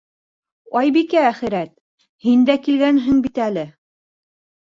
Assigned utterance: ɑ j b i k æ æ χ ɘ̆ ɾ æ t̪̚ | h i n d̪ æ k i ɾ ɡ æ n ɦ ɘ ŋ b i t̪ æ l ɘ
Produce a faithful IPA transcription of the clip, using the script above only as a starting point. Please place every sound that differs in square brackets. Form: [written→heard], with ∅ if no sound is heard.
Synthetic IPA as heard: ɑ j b i k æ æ χ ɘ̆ ɾ æ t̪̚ | h i n d̪ æ k i [ɾ→l] ɡ æ n ɦ ɘ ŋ b i t̪ æ l ɘ